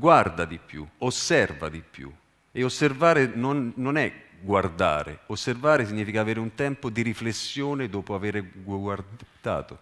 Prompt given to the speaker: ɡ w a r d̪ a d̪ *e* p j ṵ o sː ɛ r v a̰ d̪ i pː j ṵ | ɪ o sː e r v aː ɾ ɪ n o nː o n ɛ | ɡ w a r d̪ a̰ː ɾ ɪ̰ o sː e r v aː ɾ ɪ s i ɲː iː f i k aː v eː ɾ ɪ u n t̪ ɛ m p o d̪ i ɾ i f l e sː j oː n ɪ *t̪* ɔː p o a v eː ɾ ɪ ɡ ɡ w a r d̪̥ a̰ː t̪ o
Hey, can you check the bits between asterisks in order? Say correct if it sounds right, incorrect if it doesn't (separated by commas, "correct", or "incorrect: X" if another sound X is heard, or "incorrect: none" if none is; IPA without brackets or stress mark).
incorrect: i, incorrect: d̪